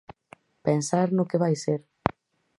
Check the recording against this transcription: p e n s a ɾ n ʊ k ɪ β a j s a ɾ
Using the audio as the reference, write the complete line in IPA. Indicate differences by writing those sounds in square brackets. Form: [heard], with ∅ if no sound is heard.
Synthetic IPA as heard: p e n s a ɾ n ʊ k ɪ β a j s [e] ɾ